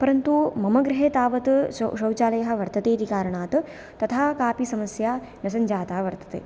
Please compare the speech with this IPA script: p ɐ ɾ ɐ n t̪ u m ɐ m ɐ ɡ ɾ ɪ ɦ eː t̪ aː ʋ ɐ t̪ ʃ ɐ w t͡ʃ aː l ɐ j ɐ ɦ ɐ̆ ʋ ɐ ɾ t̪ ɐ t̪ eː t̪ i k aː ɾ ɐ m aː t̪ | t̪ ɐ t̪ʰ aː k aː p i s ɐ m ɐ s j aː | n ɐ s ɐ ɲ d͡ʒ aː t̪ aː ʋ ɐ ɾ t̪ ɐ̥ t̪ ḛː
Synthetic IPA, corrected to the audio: p ɐ ɾ ɐ n t̪ u m ɐ m ɐ ɡ ɾ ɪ ɦ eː t̪ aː ʋ ɐ t̪ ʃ ɐ w t͡ʃ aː l ɐ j ɐ ɦ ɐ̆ ʋ ɐ ɾ t̪ ɐ t̪ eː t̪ i k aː ɾ ɐ ɳ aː t̪ | t̪ ɐ t̪ʰ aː k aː p i s ɐ m ɐ s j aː | n ɐ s ɐ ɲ d͡ʒ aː t̪ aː ʋ ɐ ɾ t̪ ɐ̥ t̪ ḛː